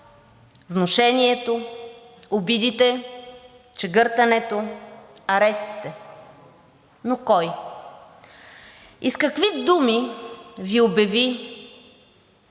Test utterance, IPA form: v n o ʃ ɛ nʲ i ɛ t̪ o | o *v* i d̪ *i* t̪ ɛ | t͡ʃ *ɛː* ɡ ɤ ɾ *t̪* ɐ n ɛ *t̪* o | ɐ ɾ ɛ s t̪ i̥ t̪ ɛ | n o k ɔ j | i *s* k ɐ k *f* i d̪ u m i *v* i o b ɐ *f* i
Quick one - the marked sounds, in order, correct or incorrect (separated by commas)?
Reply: incorrect, correct, incorrect, correct, correct, correct, incorrect, correct, incorrect